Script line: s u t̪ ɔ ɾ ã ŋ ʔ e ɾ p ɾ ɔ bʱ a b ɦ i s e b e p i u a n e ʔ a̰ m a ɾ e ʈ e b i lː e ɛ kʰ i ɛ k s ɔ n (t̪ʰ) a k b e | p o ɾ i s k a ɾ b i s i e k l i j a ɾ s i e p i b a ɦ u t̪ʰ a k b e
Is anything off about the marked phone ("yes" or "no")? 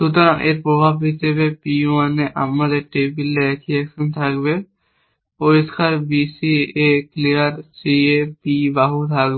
no